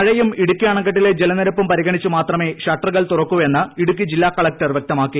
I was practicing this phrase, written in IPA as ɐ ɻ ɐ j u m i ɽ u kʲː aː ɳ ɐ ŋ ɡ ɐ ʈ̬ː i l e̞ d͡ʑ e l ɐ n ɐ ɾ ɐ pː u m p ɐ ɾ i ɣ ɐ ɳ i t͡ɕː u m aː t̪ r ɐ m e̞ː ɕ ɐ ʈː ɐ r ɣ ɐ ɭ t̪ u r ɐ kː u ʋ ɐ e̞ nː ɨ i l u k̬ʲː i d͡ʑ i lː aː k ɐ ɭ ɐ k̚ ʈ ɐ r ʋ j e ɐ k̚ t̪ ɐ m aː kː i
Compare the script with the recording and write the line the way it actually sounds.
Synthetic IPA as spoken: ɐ ɻ ɐ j u m i ɽ u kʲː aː ɳ ɐ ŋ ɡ ɐ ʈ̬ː i l e̞ d͡ʑ e l ɐ n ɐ ɾ ɐ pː u m p ɐ ɾ i ɣ ɐ ɳ i t͡ɕː u m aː t̪ r ɐ m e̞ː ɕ ɐ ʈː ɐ r ɣ ɐ ɭ t̪ u r ɐ kː u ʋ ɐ e̞ nː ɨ i ɽ u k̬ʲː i d͡ʑ i lː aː k ɐ ɭ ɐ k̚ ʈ ɐ r ʋ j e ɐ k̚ t̪ ɐ m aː kː i